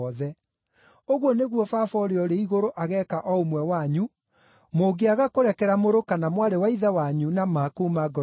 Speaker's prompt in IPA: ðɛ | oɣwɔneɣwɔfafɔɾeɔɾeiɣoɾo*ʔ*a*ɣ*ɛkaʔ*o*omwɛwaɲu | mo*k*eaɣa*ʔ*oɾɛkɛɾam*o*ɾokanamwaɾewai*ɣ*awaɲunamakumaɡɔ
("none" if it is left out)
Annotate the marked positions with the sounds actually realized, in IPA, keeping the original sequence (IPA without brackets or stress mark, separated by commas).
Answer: ʔ, ɣ, ɔ, ɡ, k, o, ð